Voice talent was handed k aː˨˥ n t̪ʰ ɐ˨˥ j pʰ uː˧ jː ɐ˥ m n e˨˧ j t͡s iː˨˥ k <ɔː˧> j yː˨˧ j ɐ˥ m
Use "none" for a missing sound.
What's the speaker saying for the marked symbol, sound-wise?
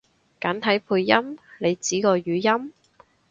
ɔː˧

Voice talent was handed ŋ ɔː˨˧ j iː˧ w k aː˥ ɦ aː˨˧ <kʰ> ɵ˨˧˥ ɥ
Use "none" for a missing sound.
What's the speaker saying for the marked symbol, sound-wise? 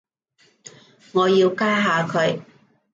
kʰ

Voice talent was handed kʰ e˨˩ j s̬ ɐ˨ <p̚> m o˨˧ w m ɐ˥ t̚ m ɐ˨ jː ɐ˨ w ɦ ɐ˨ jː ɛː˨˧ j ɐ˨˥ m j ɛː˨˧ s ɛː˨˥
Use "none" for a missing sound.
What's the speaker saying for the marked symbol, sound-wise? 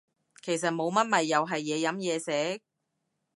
t̚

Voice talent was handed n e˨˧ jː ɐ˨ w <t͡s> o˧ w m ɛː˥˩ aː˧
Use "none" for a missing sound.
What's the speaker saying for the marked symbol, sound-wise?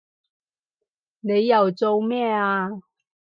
t͡s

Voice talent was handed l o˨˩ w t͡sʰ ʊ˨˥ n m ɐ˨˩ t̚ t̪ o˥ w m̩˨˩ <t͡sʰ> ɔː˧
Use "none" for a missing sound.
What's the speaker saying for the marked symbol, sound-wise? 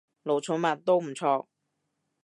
t͡sʰ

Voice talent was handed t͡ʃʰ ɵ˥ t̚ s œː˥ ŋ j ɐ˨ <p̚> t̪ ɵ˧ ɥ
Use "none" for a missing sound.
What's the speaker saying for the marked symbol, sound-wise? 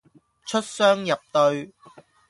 p̚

